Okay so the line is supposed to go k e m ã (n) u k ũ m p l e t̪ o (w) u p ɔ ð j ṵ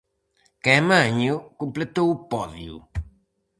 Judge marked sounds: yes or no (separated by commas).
no, yes